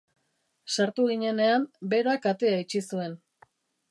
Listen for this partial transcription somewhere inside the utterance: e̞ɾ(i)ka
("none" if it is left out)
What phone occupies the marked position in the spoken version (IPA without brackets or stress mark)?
a